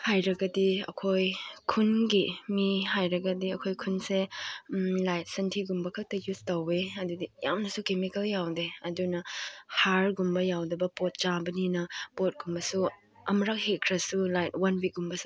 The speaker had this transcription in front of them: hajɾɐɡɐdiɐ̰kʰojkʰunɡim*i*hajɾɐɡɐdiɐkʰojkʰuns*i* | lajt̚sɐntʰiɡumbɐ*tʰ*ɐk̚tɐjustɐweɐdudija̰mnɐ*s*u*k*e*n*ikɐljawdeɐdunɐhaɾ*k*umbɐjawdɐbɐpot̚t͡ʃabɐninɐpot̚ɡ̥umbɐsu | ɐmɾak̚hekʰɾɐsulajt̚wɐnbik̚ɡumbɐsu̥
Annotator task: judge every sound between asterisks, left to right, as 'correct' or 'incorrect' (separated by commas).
correct, incorrect, incorrect, correct, correct, incorrect, incorrect